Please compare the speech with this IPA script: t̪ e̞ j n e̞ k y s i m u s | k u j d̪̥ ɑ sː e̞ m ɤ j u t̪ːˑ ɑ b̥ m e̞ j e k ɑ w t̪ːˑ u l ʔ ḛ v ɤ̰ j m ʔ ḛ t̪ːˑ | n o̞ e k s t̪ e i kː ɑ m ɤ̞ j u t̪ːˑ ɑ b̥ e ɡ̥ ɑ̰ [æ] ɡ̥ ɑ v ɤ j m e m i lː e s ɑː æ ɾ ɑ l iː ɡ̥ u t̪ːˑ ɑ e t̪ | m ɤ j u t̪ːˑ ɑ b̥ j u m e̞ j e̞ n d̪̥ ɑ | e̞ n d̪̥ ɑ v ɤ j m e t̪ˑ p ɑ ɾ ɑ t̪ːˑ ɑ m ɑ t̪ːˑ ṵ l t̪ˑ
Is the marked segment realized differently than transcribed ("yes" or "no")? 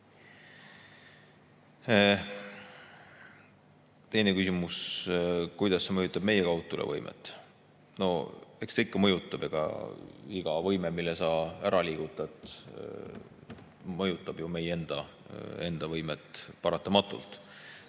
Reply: yes